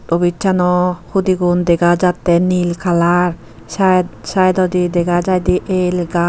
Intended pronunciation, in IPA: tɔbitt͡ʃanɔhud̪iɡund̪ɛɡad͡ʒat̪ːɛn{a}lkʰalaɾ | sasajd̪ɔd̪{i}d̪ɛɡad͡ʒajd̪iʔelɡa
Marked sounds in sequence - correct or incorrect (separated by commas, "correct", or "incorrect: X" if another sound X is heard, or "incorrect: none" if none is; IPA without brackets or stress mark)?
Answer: incorrect: i, correct